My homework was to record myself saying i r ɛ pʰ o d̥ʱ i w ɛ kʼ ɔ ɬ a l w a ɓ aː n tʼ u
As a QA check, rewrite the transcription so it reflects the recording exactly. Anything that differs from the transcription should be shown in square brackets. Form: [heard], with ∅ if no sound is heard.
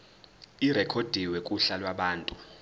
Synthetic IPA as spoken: i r ɛ [kʰ] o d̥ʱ i w ɛ kʼ [u] ɬ a l w a ɓ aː n tʼ u